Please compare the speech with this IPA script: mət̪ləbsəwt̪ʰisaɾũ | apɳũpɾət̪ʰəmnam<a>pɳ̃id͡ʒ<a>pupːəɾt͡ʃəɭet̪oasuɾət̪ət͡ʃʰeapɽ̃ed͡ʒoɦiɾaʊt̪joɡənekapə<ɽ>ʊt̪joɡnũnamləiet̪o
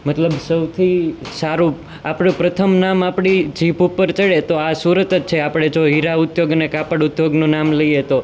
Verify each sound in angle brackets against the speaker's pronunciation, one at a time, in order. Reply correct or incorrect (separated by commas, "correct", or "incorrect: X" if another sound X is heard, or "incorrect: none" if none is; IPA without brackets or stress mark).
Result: correct, incorrect: i, correct